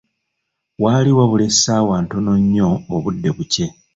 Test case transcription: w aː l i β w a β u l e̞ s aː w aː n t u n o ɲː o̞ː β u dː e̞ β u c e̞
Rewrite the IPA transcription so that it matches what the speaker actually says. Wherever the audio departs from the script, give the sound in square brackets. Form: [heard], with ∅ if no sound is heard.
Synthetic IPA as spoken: w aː l i [∅] w a β u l e̞ s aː w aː n t u n o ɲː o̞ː β u dː e̞ β u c e̞